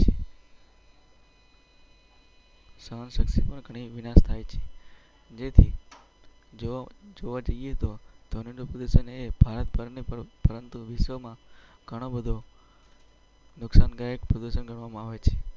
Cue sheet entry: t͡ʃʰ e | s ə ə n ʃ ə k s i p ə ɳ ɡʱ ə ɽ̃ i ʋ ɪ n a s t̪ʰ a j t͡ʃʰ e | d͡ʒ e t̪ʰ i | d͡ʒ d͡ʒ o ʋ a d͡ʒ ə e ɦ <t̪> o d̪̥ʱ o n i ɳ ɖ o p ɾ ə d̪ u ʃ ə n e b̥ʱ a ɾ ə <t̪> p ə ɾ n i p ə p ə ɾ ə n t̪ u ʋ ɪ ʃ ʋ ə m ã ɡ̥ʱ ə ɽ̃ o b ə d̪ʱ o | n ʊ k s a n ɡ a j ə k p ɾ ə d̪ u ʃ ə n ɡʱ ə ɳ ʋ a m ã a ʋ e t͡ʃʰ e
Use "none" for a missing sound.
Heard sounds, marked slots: t̪, t̪

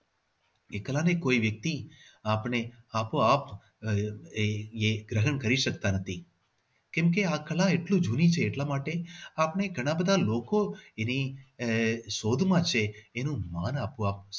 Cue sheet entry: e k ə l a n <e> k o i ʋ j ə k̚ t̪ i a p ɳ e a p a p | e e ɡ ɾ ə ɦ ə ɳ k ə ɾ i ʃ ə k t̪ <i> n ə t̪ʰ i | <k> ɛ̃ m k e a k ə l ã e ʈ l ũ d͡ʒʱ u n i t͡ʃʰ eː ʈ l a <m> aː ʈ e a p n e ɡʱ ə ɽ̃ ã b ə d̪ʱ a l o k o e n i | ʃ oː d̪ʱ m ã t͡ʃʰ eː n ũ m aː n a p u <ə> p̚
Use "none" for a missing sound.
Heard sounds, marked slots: e, a, k, m, a

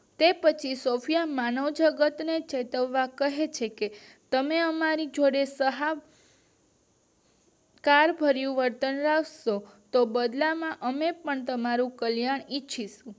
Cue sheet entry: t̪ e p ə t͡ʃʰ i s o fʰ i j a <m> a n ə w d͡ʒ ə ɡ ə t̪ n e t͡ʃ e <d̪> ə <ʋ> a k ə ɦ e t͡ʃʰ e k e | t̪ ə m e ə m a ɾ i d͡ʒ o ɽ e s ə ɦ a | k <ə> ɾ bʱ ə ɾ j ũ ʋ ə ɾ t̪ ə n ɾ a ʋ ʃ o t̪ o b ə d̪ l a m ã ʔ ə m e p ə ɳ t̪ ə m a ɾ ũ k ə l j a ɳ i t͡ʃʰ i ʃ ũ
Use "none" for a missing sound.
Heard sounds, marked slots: m, t̪, ʋː, a

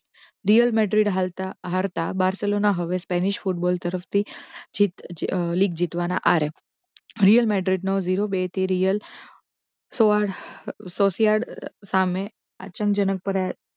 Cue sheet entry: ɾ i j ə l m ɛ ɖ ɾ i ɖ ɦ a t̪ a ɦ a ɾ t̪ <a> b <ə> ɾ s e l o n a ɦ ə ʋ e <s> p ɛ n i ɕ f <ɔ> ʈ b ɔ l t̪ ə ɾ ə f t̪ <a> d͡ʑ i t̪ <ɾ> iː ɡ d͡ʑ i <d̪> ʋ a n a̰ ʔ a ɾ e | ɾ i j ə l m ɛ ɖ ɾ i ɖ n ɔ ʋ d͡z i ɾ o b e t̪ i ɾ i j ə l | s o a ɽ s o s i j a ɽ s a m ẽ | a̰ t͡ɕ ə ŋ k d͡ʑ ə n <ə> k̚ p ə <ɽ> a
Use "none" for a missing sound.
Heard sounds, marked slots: a, a, s, u, i, l, t̪, ə, ɾ

